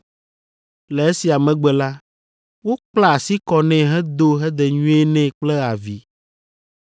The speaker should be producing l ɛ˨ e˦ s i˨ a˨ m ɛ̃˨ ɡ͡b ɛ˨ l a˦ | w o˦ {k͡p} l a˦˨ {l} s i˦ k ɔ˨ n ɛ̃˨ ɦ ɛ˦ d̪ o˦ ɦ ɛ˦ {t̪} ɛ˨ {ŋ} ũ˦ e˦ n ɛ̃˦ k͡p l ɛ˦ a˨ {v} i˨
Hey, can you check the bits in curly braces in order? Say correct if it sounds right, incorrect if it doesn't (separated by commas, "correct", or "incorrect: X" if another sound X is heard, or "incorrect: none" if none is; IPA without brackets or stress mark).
correct, incorrect: none, incorrect: d̪, incorrect: ɲ, correct